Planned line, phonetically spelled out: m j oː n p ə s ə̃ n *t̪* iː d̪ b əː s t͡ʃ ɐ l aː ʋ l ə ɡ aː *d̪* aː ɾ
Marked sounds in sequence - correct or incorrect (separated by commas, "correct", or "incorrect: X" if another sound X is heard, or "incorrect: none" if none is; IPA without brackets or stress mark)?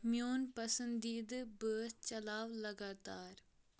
incorrect: d̪, incorrect: t̪